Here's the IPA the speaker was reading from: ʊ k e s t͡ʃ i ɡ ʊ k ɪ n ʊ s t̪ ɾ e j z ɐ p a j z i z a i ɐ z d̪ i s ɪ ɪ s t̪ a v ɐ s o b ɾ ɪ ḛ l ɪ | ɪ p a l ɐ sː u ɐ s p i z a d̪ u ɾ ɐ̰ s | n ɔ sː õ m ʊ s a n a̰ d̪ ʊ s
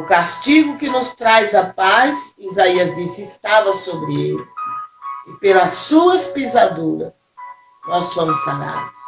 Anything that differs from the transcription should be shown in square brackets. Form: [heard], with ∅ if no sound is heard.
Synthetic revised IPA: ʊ k [a] s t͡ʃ i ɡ ʊ k ɪ n ʊ s t̪ ɾ [a] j z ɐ p a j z i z a i ɐ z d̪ i s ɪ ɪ s t̪ a v ɐ s o b ɾ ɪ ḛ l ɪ | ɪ p [e] l ɐ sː u ɐ s p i z a d̪ u ɾ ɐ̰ s | n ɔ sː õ m ʊ s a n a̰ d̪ ʊ s